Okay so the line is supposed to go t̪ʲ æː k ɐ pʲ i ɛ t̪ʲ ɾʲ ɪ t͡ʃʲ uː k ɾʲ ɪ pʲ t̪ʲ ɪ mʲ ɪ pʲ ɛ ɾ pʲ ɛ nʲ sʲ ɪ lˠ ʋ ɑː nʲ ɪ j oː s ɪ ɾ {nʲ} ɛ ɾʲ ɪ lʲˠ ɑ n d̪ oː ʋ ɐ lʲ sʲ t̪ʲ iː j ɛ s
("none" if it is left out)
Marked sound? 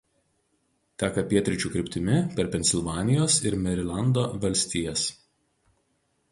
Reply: mʲ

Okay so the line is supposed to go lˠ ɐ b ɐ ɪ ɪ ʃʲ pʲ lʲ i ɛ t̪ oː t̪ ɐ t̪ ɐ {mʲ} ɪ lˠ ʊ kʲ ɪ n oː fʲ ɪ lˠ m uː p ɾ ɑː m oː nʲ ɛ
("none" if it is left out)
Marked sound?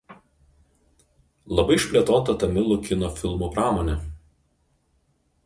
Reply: mʲ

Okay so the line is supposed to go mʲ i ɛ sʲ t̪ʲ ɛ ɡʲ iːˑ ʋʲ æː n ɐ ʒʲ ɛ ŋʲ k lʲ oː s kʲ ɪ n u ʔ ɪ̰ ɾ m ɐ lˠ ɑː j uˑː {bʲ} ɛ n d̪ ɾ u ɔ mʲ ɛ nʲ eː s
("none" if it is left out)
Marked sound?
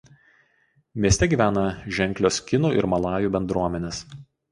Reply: bʲ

